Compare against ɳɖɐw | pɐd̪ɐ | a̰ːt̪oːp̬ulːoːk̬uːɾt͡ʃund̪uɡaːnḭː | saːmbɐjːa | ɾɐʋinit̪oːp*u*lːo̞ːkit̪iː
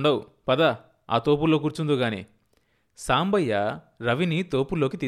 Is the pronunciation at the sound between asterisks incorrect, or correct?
correct